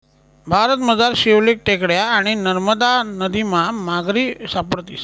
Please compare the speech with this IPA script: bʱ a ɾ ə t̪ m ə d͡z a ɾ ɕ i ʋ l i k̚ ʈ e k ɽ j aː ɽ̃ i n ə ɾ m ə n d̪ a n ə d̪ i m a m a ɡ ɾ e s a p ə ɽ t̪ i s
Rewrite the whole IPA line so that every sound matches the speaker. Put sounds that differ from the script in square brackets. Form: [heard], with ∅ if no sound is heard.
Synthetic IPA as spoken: bʱ a ɾ ə t̪ m ə d͡z a ɾ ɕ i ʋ l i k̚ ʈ e k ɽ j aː ɽ̃ i n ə ɾ m ə [∅] d̪ a n ə d̪ i m a m a ɡ ɾ [i] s a p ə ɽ t̪ i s